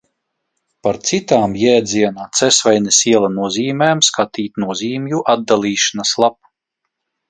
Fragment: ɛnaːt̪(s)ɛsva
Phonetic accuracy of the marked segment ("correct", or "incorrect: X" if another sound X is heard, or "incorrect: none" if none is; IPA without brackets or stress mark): correct